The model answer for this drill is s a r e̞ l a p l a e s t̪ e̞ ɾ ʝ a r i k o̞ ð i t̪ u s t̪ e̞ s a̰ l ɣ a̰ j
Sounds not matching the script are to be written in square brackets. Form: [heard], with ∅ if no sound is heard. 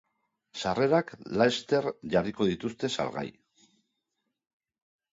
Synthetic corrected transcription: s a r e̞ [ɾ] a [k] l a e s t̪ e̞ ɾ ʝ a r i k o̞ ð i t̪ u s t̪ e̞ s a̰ l ɣ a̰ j